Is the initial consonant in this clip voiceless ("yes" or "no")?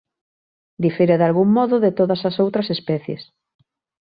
no